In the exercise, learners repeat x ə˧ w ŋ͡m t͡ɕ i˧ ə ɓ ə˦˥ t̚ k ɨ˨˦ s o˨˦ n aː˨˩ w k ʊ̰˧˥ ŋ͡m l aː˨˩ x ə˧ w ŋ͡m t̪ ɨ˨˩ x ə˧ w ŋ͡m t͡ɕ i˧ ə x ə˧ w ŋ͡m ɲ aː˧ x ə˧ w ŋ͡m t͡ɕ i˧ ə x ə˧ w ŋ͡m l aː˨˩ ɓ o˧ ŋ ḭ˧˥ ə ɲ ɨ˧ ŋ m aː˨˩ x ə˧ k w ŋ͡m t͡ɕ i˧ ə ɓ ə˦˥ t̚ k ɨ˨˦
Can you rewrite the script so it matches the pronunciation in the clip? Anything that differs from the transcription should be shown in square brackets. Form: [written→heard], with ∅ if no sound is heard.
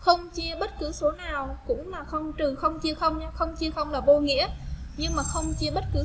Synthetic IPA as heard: x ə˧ w ŋ͡m t͡ɕ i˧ ə ɓ ə˦˥ t̚ k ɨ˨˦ s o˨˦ n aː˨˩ w k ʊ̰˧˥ ŋ͡m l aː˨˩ x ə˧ w ŋ͡m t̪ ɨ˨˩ x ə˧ w ŋ͡m t͡ɕ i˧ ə x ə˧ w ŋ͡m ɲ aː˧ x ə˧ w ŋ͡m t͡ɕ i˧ ə x ə˧ w ŋ͡m l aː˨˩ ɓ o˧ ŋ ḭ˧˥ ə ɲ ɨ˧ ŋ m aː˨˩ x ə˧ [k→∅] w ŋ͡m t͡ɕ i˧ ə ɓ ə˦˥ t̚ k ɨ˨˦